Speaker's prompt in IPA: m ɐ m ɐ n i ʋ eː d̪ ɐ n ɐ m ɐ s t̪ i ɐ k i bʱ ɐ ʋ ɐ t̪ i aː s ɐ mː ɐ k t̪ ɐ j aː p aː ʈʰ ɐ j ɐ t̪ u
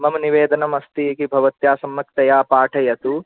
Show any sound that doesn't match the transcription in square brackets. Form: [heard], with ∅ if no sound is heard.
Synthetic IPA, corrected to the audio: m ɐ m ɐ n i ʋ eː d̪ ɐ n ɐ m ɐ s t̪ i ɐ k i bʱ ɐ ʋ ɐ t̪ [j] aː s ɐ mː ɐ k t̪ ɐ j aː p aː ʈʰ ɐ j ɐ t̪ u

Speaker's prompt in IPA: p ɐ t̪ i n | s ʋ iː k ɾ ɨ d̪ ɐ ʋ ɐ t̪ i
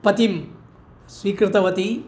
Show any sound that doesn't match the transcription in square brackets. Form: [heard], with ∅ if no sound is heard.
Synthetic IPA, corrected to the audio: p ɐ t̪ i [m] | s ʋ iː k ɾ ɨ [t̪] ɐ ʋ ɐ t̪ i

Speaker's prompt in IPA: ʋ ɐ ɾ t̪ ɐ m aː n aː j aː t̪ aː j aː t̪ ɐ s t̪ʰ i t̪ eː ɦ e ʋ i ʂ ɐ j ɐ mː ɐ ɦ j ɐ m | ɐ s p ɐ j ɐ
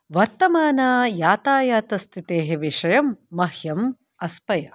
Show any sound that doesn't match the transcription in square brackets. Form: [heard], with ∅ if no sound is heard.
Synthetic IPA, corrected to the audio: ʋ ɐ ɾ t̪ ɐ m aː n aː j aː t̪ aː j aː t̪ ɐ s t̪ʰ i t̪ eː ɦ e ʋ i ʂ ɐ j ɐ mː ɐ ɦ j ɐ m | ɐ s p ɐ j ɐ

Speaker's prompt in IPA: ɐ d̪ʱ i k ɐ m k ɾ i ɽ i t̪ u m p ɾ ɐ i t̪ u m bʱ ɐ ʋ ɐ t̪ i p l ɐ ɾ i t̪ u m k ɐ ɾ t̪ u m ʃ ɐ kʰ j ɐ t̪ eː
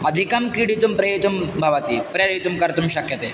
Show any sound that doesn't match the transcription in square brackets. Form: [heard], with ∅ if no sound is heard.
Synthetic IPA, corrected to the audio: ɐ d̪ʱ i k ɐ m k ɾ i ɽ i t̪ u m p ɾ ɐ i t̪ u m bʱ ɐ ʋ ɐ t̪ i p [ɾ] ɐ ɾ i t̪ u m k ɐ ɾ t̪ u m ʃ ɐ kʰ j ɐ t̪ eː

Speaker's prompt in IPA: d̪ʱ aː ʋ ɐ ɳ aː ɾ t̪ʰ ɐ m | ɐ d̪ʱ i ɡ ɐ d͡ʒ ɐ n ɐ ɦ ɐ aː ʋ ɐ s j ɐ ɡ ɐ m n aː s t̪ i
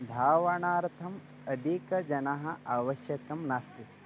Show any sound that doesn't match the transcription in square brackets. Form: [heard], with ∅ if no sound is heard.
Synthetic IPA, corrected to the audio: d̪ʱ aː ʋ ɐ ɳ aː ɾ t̪ʰ ɐ m | ɐ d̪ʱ i [k] ɐ d͡ʒ ɐ n ɐ ɦ ɐ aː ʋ ɐ [ʃ] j ɐ [k] ɐ m n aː s t̪ i

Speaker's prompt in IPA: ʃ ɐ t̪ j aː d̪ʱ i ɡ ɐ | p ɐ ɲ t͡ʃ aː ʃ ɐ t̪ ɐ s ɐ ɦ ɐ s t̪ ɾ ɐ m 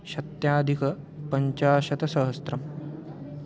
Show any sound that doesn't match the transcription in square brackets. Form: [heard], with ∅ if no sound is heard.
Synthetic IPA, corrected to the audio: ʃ ɐ t̪ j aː d̪ʱ i [k] ɐ | p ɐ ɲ t͡ʃ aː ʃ ɐ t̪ ɐ s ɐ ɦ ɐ s t̪ ɾ ɐ m

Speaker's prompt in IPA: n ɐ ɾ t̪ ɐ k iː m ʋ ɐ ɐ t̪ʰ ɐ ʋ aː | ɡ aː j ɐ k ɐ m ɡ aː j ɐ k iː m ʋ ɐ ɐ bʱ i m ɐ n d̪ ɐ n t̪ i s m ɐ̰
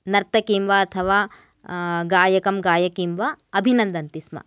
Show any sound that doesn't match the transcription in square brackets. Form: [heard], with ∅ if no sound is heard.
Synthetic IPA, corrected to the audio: n ɐ ɾ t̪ ɐ k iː m ʋ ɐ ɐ t̪ʰ ɐ ʋ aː | ɡ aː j ɐ k ɐ m ɡ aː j ɐ k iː m ʋ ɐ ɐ bʱ i [n] ɐ n d̪ ɐ n t̪ i s m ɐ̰

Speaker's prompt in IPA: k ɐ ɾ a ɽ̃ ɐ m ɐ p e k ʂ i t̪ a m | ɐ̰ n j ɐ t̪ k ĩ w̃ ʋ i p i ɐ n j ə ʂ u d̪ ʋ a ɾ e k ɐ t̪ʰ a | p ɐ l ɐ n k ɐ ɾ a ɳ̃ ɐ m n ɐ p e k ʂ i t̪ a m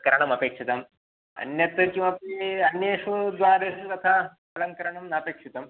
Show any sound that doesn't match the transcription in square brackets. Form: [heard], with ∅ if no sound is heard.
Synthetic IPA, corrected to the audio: k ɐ ɾ a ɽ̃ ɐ m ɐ p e k ʂ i t̪ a m | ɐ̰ n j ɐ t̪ k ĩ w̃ ʋ [a] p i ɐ n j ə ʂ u d̪ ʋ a ɾ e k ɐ t̪ʰ a | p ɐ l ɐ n k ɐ ɾ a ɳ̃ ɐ m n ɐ p e k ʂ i t̪ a m

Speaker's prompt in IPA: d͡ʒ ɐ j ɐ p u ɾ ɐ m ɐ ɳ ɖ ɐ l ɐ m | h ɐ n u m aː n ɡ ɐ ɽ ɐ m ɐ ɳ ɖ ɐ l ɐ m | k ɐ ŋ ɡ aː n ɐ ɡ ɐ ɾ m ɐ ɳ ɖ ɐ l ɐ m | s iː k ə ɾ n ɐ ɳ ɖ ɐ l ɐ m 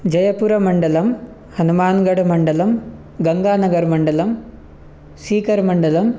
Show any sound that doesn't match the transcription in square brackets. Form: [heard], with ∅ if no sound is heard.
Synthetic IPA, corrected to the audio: d͡ʒ ɐ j ɐ p u ɾ ɐ m ɐ ɳ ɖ ɐ l ɐ m | h ɐ n u m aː n ɡ ɐ ɽ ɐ m ɐ ɳ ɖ ɐ l ɐ m | [ɡ] ɐ ŋ ɡ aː n ɐ ɡ ɐ ɾ m ɐ ɳ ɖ ɐ l ɐ m | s iː k [ɐ] ɾ [m] ɐ ɳ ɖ ɐ l ɐ m

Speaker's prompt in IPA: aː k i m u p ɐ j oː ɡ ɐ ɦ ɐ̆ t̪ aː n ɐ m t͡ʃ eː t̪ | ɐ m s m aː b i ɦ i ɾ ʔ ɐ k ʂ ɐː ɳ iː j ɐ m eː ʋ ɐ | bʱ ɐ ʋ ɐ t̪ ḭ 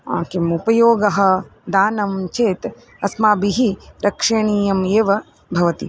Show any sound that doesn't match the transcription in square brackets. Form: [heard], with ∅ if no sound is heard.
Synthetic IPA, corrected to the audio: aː k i m u p ɐ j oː ɡ ɐ ɦ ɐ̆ [d̪] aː n ɐ m t͡ʃ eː t̪ | ɐ [∅] s m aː b i ɦ i ɾ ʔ ɐ k ʂ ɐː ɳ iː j ɐ m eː ʋ ɐ | bʱ ɐ ʋ ɐ t̪ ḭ

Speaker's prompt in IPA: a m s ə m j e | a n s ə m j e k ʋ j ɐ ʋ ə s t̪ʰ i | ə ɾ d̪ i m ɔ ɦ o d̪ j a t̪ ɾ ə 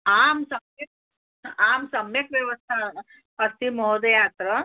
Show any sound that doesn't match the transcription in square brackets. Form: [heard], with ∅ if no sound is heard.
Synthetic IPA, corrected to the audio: a m s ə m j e | a [m] s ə m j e k ʋ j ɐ ʋ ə s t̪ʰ [a] | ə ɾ [t̪] i m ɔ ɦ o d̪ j a t̪ ɾ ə

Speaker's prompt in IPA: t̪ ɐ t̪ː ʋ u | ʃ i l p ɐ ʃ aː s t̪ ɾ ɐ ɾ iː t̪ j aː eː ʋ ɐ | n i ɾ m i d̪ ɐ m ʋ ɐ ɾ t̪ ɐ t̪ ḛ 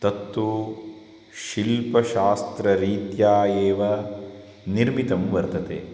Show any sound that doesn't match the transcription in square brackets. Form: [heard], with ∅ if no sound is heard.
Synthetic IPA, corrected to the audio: t̪ ɐ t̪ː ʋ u | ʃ i l p ɐ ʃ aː s t̪ ɾ ɐ ɾ iː t̪ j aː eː ʋ ɐ | n i ɾ m i [t̪] ɐ m ʋ ɐ ɾ t̪ ɐ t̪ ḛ

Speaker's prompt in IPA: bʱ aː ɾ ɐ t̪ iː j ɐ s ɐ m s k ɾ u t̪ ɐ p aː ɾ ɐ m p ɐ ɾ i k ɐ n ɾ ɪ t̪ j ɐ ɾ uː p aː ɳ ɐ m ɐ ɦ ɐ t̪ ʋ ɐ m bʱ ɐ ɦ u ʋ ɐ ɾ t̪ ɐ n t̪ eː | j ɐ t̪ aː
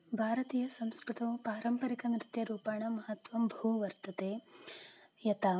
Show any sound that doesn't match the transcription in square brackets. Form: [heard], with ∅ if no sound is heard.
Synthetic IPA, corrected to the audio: bʱ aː ɾ ɐ t̪ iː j ɐ s ɐ m s k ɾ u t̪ ɐ p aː ɾ ɐ m p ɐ ɾ i k ɐ n ɾ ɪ t̪ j ɐ ɾ uː p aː ɳ ɐ m ɐ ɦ ɐ t̪ ʋ ɐ m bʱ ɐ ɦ u ʋ ɐ ɾ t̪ ɐ [∅] t̪ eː | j ɐ t̪ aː

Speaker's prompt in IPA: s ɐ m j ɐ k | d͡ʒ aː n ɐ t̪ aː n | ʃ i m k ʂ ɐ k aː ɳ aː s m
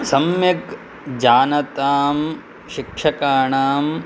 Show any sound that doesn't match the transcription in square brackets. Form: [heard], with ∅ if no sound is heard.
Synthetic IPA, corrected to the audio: s ɐ m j ɐ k | d͡ʒ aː n ɐ t̪ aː [m] | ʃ i [∅] k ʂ ɐ k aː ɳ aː [∅] m

